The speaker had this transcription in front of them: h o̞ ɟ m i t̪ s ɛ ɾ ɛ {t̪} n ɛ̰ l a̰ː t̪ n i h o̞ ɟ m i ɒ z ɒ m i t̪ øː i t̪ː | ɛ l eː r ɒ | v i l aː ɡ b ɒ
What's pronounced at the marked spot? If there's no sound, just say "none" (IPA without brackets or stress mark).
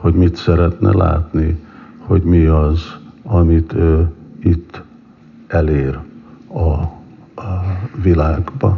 t̪